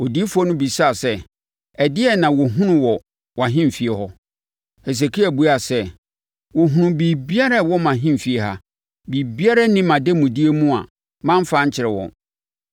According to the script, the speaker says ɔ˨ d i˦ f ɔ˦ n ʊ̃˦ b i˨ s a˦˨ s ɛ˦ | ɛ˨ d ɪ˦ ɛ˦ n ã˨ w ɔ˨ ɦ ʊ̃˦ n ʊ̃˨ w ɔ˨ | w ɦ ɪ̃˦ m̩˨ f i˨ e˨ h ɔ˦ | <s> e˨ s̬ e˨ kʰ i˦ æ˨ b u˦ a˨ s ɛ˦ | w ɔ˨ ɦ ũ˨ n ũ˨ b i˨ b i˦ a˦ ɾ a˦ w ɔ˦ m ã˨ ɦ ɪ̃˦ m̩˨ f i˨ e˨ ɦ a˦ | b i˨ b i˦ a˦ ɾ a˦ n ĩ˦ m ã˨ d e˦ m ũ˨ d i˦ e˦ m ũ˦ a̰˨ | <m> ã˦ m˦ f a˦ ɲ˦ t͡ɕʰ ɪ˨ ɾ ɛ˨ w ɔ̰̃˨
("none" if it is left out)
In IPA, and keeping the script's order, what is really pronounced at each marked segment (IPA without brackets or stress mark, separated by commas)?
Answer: h, m